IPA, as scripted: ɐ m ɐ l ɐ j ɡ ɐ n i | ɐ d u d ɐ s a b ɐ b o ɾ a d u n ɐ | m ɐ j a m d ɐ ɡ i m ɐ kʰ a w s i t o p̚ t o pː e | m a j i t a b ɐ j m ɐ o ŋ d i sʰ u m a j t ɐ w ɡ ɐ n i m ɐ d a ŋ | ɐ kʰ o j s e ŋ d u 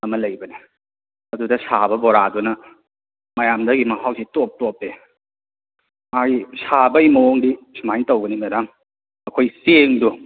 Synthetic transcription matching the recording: ɐ m ɐ l ɐ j b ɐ n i | ɐ d u d ɐ s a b ɐ b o ɾ a d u n ɐ | m ɐ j a m d ɐ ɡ i m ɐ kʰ a w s i t o p̚ t o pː e | m a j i s a b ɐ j m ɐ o ŋ d i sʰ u m a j t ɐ w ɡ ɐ n i m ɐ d a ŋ | ɐ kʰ o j s e ŋ d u